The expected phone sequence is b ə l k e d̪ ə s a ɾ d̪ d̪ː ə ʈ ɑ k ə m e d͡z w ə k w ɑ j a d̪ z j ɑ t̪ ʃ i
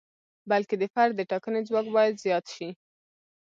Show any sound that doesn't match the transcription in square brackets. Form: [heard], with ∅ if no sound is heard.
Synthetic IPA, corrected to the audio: b [a] l k e d̪ ə [f] a ɾ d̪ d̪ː ə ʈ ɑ k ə [n] e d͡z w [ɑ] k [b] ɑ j a d̪ z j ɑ t̪ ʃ i